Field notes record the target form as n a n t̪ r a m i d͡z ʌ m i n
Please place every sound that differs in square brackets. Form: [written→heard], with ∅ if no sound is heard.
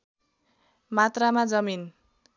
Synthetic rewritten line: [n→m] a [n→∅] t̪ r a m [i→a] d͡z ʌ m i n